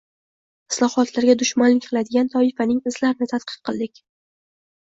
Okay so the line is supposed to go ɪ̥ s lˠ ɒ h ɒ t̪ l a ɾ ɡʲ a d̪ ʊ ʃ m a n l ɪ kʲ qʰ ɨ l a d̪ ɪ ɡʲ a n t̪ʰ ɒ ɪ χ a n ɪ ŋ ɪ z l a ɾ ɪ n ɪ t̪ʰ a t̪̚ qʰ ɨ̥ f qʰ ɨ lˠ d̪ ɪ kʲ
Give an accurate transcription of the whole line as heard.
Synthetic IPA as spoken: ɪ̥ s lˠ ɒ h ɒ t̪ l a ɾ ɡʲ a d̪ ʊ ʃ m a n l ɪ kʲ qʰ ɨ l a d̪ ɪ ɡʲ a n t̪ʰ ɒ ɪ f a n ɪ ŋ ɪ z l a ɾ ɪ n ɪ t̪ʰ a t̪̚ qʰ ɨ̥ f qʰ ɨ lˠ d̪ ɪ kʲ